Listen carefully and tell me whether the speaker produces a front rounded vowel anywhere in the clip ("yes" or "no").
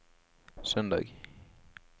yes